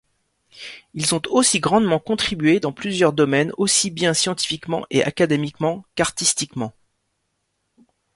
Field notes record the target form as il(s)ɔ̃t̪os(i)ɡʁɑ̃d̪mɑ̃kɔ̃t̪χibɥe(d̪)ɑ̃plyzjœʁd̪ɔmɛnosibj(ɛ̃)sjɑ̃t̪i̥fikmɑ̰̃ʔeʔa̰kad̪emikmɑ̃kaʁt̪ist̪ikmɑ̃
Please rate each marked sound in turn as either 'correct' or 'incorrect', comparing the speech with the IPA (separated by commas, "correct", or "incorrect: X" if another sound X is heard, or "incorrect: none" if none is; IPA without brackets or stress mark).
incorrect: z, correct, correct, correct